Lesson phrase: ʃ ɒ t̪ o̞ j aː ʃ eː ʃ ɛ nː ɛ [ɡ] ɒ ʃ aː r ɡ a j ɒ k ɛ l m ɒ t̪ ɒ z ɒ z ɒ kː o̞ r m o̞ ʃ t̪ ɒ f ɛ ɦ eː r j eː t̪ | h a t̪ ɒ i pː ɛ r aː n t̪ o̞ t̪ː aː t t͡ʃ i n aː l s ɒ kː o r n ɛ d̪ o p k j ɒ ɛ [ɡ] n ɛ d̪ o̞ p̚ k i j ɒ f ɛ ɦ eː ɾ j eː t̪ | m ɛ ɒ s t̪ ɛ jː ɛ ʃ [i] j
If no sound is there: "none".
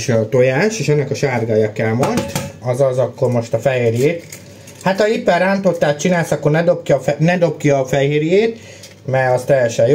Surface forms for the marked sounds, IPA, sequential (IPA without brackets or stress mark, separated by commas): k, none, ɛ